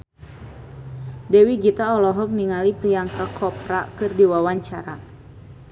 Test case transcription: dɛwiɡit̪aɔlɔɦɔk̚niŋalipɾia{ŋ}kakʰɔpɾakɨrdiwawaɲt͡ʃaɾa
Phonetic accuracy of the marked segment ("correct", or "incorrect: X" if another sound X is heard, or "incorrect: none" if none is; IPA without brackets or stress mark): correct